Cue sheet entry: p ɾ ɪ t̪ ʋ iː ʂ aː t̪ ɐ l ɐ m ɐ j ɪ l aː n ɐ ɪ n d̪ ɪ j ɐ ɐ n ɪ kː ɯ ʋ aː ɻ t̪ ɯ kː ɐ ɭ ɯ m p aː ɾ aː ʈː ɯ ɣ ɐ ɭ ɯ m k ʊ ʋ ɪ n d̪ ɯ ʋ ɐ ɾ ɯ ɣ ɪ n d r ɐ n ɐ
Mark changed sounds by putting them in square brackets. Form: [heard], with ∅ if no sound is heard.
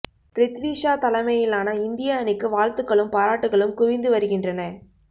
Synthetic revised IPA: p ɾ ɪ t̪ ʋ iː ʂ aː t̪ ɐ l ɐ m ɐ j ɪ l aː n ɐ ɪ n d̪ ɪ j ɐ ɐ n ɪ kː ɯ ʋ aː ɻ t̪ ɯ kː ɐ ɭ ɯ m p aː ɾ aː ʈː ɯ ɣ ɐ ɭ ɯ m k ʊ ʋ ɪ n d̪ ɯ ʋ ɐ ɾ ɯ ɣ ɪ n d r ɐ n ɐ